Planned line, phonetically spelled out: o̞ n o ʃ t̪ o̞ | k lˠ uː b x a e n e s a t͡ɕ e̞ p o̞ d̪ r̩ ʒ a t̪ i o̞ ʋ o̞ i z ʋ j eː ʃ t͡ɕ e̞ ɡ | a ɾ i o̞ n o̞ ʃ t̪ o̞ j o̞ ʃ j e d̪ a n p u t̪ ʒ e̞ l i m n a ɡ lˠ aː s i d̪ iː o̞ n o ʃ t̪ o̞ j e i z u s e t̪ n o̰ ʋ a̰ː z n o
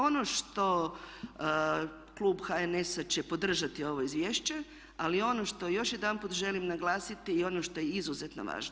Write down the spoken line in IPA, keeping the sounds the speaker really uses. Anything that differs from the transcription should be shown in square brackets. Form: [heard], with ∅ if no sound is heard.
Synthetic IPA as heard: o̞ n o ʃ t̪ o̞ | k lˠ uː b x a e n e s a t͡ɕ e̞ p o̞ d̪ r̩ ʒ a t̪ i o̞ ʋ o̞ i z ʋ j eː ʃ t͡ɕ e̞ [∅] | a [l] i o̞ n o̞ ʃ t̪ o̞ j o̞ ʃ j e d̪ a n p u t̪ ʒ e̞ l i m n a ɡ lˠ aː s i [t̪] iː o̞ n o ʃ t̪ o̞ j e i z u [z] e t̪ n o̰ ʋ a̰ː [ʒ] n o